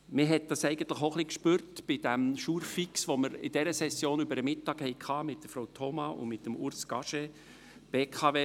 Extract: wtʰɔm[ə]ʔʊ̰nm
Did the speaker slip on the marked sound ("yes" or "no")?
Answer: yes